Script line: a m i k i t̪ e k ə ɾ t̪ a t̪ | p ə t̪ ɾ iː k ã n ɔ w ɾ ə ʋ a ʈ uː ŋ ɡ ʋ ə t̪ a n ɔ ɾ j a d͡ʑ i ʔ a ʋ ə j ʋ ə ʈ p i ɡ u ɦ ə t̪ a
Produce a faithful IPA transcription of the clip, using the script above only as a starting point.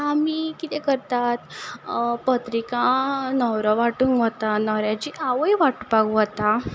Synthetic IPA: a m i k i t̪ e k ə ɾ t̪ a t̪ | p ə t̪ ɾ i k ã n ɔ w ɾ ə ʋ a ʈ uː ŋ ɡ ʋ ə t̪ a n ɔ ɾ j a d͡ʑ i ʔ a ʋ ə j ʋ a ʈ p a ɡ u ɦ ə t̪ a